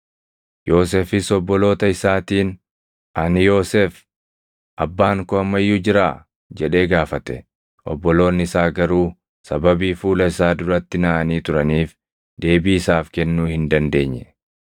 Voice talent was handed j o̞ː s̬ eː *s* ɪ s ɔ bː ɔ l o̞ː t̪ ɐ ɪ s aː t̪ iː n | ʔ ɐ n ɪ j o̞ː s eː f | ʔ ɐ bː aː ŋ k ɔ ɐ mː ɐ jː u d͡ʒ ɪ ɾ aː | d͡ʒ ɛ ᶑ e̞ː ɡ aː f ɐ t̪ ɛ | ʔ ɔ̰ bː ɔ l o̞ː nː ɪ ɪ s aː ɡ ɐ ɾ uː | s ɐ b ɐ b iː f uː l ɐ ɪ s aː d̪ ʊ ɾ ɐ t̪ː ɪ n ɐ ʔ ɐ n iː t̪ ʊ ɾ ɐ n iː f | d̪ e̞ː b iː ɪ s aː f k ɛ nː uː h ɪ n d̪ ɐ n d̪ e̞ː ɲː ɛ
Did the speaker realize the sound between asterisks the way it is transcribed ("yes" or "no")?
no